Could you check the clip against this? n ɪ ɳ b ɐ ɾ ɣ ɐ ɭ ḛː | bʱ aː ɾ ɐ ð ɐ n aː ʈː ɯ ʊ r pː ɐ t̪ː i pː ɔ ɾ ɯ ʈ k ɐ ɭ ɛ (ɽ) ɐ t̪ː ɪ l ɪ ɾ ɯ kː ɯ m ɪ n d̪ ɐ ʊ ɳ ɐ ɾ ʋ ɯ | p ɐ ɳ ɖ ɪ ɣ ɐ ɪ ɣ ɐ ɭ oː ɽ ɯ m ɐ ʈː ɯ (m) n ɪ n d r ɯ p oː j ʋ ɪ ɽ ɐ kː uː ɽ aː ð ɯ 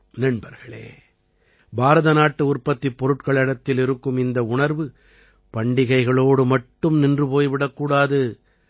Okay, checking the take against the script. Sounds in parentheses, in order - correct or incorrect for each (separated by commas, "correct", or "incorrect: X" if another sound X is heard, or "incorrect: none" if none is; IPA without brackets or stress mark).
correct, correct